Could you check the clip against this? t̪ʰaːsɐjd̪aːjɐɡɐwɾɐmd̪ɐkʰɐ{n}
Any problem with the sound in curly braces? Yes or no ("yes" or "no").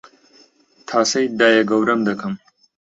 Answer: yes